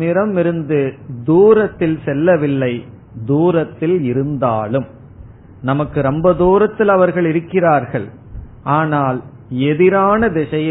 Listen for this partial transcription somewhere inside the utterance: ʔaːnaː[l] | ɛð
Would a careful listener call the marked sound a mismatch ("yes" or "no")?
no